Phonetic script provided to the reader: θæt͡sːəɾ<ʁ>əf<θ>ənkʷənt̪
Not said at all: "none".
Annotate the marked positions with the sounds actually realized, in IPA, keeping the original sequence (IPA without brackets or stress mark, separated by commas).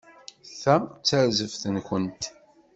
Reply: z, θ